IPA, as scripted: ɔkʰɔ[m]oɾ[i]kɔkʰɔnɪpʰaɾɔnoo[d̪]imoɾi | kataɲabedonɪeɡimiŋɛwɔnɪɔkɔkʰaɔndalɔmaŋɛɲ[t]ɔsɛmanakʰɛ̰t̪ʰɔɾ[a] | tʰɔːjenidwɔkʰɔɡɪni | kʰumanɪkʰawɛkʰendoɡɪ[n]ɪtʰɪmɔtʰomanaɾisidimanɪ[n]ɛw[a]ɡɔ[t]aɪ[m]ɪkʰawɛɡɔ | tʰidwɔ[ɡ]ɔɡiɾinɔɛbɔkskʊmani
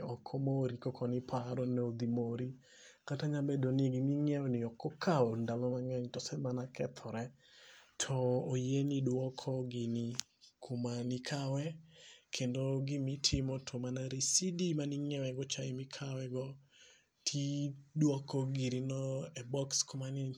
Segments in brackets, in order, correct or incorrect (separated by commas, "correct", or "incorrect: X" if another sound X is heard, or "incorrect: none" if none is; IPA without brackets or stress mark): correct, correct, correct, correct, incorrect: ɛ, incorrect: m, incorrect: ŋ, incorrect: ɛ, incorrect: t͡ʃ, correct, incorrect: k